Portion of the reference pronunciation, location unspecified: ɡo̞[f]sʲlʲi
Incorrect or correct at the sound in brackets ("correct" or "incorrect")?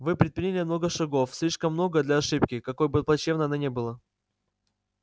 correct